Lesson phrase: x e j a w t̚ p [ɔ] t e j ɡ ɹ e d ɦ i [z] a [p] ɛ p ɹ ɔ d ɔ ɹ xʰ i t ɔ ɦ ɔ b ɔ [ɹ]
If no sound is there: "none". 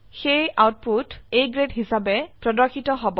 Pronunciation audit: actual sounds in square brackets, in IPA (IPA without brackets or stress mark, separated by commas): u, s, b, none